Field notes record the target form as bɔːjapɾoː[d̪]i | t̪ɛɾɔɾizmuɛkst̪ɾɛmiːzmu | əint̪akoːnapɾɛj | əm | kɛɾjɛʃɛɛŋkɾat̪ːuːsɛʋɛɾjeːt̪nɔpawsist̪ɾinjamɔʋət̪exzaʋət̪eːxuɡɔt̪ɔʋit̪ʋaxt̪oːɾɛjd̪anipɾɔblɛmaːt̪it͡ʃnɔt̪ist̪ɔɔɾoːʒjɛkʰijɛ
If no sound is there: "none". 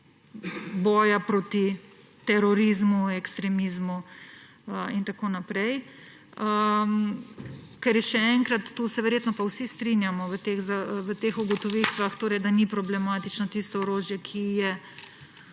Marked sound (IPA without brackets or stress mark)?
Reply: t̪